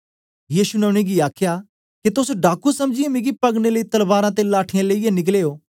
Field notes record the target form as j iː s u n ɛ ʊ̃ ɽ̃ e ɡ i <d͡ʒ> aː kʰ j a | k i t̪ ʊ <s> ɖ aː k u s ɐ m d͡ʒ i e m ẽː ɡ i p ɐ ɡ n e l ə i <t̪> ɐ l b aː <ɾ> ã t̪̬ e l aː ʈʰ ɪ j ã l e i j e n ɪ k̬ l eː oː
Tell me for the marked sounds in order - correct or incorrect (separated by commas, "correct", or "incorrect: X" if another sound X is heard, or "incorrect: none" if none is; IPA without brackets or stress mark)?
incorrect: none, correct, correct, correct